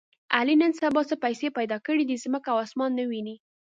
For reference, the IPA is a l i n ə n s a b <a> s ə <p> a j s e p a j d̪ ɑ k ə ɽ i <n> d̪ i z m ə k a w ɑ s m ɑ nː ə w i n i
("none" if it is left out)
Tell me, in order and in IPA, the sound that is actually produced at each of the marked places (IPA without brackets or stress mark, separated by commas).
ɑ, p, none